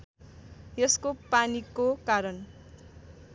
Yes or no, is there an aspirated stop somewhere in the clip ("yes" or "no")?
no